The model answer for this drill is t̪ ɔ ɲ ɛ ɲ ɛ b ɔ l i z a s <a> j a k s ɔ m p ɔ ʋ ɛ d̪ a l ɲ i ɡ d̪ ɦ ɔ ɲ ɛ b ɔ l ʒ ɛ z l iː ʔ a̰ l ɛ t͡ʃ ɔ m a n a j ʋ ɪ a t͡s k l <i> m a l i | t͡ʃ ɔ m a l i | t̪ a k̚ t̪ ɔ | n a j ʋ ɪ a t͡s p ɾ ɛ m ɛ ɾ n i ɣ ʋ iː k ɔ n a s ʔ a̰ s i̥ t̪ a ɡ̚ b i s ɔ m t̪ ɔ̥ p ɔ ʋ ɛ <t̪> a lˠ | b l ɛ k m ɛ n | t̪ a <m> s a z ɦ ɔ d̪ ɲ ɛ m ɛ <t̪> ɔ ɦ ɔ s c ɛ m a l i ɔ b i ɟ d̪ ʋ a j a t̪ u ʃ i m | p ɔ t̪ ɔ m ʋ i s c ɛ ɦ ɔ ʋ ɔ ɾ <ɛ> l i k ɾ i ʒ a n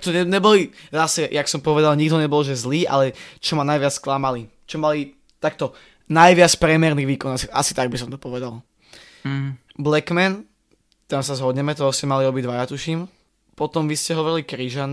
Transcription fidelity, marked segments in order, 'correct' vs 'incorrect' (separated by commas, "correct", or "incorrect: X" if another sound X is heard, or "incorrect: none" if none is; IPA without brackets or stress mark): incorrect: ɛ, incorrect: a, incorrect: d̪, correct, correct, incorrect: i